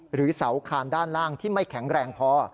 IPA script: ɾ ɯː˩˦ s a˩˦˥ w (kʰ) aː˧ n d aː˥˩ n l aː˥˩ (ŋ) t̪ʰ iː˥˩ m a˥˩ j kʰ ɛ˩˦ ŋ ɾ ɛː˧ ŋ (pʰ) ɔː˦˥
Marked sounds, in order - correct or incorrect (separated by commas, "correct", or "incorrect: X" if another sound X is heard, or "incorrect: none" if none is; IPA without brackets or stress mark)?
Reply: correct, correct, correct